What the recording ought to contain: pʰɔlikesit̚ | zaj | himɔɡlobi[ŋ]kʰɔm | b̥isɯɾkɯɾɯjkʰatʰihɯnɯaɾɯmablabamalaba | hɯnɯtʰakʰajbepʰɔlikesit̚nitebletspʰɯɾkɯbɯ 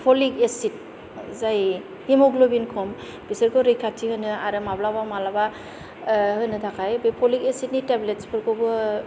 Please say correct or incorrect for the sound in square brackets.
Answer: incorrect